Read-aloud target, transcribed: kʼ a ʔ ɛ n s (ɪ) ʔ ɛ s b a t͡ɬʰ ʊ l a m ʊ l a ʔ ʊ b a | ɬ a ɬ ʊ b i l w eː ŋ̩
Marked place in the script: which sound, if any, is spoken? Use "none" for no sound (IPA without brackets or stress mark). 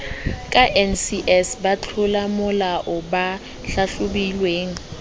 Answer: i